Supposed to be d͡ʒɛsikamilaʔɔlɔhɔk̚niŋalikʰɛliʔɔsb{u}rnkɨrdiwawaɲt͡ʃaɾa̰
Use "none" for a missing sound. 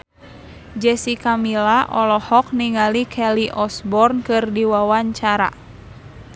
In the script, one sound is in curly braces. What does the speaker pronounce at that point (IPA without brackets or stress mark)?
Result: ɔ